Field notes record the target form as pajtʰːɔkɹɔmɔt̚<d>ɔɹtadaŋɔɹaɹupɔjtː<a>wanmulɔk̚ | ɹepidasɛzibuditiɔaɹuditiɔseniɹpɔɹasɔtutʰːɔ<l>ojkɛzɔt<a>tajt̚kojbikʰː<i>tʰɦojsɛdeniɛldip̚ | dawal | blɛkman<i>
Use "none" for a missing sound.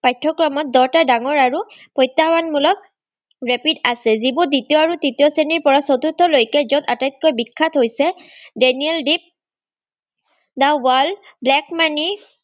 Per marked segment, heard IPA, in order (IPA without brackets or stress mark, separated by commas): d, a, l, a, a, i